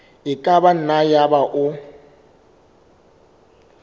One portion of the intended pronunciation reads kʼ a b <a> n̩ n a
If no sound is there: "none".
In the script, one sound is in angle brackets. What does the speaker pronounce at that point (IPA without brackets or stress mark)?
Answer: a